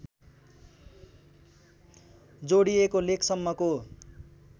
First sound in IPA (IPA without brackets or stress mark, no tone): d͡z